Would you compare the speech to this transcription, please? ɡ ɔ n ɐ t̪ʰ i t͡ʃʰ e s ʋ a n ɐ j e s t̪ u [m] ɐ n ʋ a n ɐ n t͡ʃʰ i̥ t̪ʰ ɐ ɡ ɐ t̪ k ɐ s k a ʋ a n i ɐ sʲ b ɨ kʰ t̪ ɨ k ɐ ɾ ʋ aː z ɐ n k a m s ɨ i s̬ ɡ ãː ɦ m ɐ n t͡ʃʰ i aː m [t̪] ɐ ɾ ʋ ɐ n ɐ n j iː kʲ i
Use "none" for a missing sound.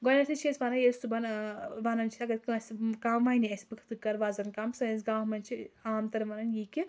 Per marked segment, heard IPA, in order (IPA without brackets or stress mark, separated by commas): b, t̪